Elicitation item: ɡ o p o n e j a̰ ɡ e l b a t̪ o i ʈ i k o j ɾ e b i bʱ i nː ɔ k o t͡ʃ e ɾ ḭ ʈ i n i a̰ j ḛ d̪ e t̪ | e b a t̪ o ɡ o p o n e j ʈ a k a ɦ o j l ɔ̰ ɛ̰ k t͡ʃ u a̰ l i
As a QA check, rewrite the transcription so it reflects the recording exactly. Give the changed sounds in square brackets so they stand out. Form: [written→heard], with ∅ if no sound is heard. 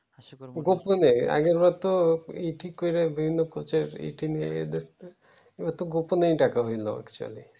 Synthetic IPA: ɡ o p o n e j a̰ ɡ e [l→ɾ] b a t̪ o i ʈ i k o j ɾ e b i bʱ i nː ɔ k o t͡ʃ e ɾ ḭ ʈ i n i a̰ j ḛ d̪ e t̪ | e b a t̪ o ɡ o p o n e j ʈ a k a ɦ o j l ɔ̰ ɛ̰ k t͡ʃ u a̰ l i